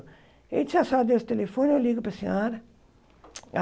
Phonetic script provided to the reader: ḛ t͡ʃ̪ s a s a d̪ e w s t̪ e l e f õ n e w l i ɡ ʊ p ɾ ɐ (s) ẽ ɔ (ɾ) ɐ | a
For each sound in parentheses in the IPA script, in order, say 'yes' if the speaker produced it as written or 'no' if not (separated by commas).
yes, yes